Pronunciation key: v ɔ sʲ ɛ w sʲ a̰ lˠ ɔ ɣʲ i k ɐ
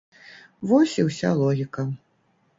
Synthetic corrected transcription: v ɔ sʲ i w sʲ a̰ lˠ ɔ ɣʲ i k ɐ